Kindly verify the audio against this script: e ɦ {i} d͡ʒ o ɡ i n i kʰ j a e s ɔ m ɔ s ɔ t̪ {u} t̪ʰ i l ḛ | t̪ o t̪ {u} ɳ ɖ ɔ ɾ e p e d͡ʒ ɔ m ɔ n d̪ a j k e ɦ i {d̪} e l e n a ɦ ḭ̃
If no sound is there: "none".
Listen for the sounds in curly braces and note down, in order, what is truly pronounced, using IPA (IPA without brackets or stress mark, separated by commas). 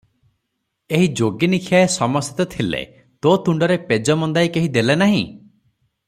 i, ɔ, u, d̪